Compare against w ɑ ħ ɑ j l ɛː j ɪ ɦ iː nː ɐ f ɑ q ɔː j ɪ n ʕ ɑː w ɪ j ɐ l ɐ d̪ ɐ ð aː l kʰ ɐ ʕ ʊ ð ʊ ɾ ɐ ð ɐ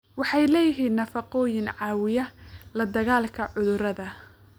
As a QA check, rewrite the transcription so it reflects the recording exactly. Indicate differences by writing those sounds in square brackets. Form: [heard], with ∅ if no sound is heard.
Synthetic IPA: w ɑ ħ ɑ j l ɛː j ɪ ɦ iː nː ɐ f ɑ q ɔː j ɪ n ʕ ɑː w ɪ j ɐ l ɐ d̪ ɐ [ɣ] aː l kʰ ɐ ʕ ʊ ð ʊ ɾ ɐ ð ɐ